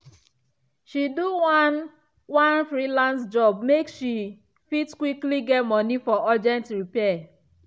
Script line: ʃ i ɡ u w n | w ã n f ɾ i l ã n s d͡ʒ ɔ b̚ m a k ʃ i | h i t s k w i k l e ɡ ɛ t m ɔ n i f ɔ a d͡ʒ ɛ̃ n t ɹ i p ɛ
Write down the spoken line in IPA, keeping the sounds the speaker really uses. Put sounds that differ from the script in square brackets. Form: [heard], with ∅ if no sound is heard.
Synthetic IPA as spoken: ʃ i [d] u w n | w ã n f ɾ i l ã n s d͡ʒ ɔ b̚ m [e] k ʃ i | [f] i t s k w i k l [i] ɡ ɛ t m ɔ n i f ɔ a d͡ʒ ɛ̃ n t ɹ i p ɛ